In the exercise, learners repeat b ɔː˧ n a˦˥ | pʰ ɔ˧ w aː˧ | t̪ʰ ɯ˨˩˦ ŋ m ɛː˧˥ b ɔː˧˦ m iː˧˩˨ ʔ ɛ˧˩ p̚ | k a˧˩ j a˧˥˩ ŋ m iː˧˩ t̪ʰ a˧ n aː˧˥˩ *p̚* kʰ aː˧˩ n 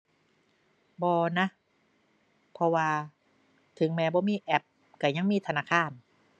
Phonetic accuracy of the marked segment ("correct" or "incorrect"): incorrect